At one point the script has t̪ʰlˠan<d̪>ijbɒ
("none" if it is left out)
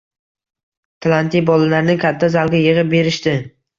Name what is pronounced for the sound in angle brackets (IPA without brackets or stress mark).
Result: t̪